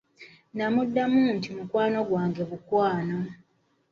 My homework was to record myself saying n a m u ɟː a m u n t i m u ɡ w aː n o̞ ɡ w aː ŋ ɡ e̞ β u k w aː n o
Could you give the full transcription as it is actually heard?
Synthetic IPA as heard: n a m u dː a m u n t i m u k w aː n o̞ ɡ w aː ŋ ɡ e̞ β u k w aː n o